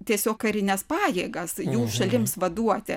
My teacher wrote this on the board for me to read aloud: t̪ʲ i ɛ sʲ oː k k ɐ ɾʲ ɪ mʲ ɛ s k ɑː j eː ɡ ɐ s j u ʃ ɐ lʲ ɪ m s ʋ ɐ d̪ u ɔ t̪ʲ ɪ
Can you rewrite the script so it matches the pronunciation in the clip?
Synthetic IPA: t̪ʲ i ɛ sʲ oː k k ɐ ɾʲ ɪ nʲ ɛ s p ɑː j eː ɡ ɐ s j uː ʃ ɐ lʲ ɪ m s ʋ ɐ d̪ u ɔ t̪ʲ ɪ